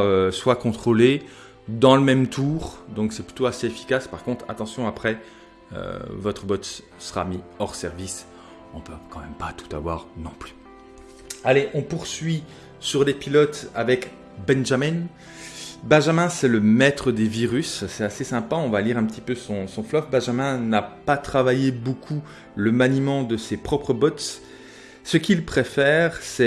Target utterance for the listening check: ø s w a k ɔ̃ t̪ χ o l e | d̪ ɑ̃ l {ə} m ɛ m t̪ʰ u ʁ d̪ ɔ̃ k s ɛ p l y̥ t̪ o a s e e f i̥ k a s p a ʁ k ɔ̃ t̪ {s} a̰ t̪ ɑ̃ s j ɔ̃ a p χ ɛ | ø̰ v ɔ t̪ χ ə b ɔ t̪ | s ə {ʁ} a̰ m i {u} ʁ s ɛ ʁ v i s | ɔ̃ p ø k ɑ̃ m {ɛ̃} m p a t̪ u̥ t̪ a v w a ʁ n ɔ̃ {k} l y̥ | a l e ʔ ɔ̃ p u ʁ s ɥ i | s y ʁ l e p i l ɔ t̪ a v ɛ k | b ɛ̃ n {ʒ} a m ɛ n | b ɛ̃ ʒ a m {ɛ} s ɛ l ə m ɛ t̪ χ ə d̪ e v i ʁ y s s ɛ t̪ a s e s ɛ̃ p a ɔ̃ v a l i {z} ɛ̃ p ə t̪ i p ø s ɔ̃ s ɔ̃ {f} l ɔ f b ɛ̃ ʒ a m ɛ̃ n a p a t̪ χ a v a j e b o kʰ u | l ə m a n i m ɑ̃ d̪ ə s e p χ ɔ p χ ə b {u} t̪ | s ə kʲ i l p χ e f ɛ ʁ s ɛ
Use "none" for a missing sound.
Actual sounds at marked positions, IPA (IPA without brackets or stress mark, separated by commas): ə, χ, ʁ, ɔ, ɛ, p, ʒ, ɛ̃, ʁ, f, ɔ